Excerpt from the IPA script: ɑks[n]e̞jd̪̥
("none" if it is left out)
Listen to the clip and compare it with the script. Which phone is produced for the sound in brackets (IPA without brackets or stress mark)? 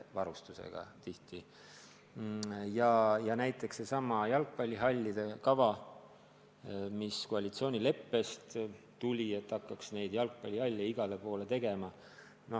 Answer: n